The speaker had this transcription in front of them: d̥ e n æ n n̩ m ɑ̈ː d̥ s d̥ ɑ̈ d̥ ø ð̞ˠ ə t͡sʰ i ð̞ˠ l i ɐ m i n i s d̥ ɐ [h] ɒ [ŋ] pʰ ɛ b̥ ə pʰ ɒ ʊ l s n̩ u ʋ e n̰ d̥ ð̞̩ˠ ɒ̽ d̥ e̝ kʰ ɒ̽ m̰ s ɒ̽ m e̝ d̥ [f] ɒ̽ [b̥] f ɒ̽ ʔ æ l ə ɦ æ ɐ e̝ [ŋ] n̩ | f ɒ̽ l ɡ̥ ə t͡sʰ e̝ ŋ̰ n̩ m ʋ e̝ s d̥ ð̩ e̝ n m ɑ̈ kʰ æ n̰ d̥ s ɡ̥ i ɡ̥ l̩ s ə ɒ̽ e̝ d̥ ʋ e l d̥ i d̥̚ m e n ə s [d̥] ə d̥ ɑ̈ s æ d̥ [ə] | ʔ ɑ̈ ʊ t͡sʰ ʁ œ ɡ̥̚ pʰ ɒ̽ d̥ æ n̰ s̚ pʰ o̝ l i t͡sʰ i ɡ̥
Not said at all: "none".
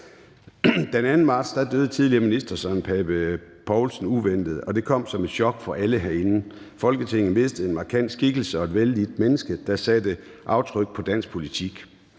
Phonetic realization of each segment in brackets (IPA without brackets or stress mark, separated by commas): s, n, ɕ, ɡ̥, n, ɡ̥, ə